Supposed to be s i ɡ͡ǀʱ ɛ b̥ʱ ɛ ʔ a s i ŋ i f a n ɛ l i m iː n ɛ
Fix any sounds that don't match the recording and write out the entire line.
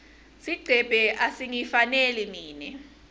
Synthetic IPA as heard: s i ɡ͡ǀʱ ɛ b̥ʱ ɛ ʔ a s i ŋ i f a n ɛ l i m iː n ɛ